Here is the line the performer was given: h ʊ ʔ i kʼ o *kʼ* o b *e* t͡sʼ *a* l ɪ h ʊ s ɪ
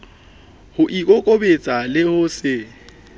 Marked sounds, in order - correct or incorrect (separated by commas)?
correct, correct, correct